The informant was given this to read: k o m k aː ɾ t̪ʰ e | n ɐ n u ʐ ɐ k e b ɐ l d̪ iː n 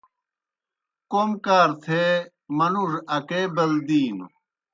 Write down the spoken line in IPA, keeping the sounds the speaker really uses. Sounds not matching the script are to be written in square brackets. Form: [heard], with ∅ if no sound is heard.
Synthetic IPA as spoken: k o m k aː ɾ t̪ʰ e | [m] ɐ n u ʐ ɐ k e b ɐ l d̪ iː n